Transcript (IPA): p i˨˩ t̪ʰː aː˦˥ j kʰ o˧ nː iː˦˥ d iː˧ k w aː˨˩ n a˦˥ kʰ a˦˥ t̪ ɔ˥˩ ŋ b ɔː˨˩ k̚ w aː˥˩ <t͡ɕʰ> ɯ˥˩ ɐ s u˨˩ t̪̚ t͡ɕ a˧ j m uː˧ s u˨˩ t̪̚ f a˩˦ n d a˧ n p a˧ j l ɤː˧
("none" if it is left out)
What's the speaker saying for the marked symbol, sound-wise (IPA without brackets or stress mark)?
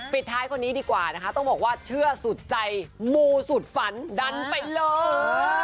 t͡ɕʰ